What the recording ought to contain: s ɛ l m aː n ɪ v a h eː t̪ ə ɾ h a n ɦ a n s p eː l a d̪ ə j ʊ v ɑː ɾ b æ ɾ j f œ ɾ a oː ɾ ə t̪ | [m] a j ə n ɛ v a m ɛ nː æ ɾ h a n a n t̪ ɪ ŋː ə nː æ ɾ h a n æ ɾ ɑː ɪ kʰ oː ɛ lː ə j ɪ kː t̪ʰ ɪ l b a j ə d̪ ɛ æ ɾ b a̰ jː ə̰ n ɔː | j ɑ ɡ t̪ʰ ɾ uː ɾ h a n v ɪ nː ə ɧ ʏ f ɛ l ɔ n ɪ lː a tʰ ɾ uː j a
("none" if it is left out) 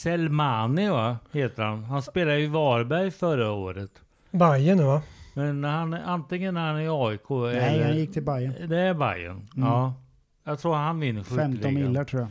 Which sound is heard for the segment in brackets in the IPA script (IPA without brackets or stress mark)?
b